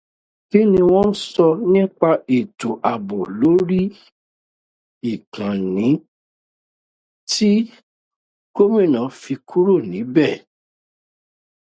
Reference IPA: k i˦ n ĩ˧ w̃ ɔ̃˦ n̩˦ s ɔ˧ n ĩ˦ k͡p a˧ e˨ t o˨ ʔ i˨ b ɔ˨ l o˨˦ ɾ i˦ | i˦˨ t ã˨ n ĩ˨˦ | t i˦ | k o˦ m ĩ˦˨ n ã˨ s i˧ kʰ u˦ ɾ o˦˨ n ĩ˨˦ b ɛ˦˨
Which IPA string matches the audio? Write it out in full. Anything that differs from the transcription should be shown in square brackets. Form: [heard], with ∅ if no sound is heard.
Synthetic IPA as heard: k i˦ n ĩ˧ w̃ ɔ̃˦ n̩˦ s ɔ˧ n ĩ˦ k͡p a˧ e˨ t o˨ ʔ [a˨] b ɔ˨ l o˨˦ ɾ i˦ | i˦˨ [k] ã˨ n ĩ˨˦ | t i˦ | k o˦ m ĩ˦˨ n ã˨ [f] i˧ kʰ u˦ ɾ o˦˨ n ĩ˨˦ b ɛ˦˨